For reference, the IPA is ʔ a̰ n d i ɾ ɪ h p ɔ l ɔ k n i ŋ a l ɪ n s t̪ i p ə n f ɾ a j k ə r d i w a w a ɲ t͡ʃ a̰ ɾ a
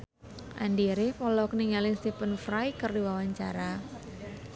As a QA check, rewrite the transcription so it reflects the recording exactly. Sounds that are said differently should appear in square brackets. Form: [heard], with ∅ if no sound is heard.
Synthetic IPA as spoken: ʔ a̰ n d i ɾ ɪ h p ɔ l ɔ k n i ŋ a l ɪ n s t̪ i p ə n f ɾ a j k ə r d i w a w a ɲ t͡ʃ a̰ ɾ a